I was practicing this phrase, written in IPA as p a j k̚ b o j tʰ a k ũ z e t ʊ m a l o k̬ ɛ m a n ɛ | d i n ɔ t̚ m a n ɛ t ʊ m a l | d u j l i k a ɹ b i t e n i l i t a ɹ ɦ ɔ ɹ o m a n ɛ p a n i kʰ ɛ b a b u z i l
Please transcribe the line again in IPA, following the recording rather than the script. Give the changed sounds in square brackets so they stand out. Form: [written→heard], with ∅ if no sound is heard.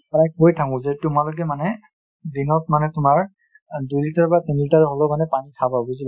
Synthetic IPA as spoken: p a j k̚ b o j tʰ a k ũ z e t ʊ m a l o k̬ ɛ m a n ɛ | d i n ɔ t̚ m a n ɛ t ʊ m a [l→ɹ] | d u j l i [k→t] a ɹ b [i→a] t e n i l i t a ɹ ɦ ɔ [ɹ→l] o m a n ɛ p a n i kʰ [ɛ→a] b a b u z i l